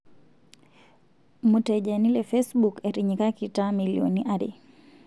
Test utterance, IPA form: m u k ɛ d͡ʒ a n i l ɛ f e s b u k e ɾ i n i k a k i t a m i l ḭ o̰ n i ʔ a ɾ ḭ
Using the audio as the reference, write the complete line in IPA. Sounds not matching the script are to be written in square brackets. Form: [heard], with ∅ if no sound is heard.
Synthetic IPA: m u [t] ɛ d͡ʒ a n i l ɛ f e s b u k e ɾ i [ɲ] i k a k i t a m i l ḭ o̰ n i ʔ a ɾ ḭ